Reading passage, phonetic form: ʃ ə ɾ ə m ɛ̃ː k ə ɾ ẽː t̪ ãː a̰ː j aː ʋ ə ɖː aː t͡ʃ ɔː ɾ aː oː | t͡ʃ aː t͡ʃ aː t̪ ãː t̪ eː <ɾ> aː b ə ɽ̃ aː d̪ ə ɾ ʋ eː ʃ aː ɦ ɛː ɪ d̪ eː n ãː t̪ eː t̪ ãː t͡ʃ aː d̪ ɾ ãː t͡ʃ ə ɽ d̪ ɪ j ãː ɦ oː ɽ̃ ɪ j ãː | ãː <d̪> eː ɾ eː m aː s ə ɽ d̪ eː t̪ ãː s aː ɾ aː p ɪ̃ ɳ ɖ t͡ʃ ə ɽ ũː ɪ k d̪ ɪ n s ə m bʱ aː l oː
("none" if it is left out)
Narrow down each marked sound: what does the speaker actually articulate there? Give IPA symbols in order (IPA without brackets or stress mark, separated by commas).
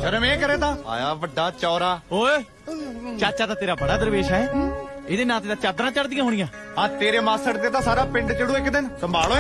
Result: ɾ, t̪